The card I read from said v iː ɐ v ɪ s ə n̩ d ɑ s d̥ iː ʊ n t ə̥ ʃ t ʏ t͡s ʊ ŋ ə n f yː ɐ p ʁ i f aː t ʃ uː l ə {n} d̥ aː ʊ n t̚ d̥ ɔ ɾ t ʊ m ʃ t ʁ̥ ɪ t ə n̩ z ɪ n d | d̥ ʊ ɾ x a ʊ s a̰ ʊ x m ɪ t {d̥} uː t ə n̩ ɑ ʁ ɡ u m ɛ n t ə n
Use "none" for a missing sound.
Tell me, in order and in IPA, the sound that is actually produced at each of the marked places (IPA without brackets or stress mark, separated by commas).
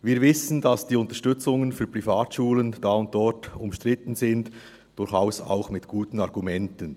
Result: n, ɡ̥